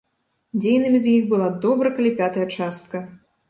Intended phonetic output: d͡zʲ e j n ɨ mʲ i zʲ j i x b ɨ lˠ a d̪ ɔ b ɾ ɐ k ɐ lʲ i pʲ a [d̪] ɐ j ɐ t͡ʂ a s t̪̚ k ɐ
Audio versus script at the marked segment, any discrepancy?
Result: yes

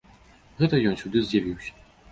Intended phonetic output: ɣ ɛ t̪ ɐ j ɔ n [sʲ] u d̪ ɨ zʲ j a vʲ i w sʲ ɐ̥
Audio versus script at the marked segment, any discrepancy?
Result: no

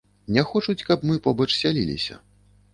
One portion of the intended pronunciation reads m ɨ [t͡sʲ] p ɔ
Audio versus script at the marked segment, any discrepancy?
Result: yes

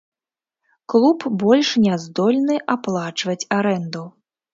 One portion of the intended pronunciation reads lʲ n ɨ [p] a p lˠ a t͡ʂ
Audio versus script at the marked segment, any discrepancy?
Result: yes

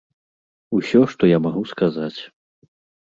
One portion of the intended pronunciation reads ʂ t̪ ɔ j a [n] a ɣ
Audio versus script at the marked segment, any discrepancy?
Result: yes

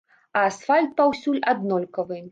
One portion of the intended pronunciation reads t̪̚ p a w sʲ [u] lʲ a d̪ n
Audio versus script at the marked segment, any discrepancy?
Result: no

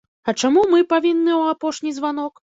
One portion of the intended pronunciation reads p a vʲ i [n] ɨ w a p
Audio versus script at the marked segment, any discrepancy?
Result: yes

